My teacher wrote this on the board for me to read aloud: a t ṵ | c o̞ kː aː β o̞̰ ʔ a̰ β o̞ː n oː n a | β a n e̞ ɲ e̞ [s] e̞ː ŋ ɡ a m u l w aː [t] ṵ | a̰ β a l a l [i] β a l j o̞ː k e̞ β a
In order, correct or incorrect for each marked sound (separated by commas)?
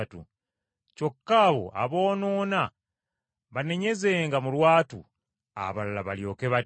incorrect, correct, incorrect